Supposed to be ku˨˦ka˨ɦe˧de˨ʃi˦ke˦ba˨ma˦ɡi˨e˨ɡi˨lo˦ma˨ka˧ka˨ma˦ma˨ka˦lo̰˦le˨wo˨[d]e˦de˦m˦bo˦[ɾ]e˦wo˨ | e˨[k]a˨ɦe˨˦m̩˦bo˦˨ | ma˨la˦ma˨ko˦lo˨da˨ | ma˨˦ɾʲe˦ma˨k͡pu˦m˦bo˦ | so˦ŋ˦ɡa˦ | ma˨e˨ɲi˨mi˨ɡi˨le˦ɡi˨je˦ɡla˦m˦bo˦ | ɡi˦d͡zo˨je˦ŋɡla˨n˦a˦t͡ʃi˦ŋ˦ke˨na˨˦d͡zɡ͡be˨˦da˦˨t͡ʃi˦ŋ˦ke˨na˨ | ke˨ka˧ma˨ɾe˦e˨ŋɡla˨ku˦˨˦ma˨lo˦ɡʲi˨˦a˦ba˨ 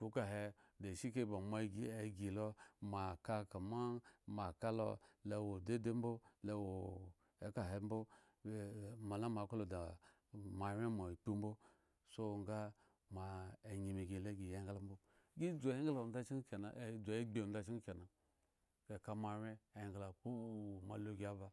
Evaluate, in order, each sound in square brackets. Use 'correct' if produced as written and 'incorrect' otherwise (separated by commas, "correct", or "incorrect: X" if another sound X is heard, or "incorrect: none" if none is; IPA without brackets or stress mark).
correct, incorrect: l, correct